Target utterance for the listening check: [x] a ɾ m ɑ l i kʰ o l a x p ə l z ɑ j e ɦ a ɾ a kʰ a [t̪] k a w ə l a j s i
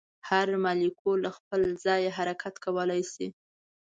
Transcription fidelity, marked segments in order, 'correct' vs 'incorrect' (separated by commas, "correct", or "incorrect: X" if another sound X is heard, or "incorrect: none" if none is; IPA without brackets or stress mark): incorrect: h, correct